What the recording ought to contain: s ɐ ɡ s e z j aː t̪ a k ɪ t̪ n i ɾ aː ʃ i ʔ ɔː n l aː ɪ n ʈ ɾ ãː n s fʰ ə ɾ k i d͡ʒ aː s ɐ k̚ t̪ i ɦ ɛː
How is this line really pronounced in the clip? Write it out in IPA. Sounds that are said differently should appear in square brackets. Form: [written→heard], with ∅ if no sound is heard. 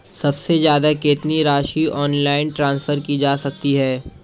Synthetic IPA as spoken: s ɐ [ɡ→b] s e z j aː [t̪→d̪] a k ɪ t̪ n i ɾ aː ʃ i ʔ ɔː n l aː ɪ n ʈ ɾ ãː n s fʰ ə ɾ k i d͡ʒ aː s ɐ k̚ t̪ i ɦ ɛː